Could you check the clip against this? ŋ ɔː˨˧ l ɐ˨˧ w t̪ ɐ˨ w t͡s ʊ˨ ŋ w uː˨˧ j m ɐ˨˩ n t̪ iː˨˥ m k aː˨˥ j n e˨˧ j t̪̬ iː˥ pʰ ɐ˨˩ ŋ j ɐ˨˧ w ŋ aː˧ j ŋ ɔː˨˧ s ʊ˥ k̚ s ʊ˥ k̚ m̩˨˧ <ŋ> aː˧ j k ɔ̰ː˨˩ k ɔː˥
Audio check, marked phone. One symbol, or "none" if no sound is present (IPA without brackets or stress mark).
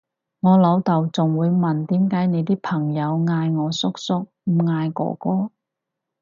ŋ